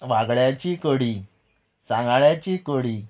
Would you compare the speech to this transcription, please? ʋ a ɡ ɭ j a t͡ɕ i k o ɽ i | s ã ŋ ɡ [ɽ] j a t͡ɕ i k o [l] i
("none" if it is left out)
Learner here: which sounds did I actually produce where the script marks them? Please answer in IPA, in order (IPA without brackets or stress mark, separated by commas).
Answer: ɭ, ɽ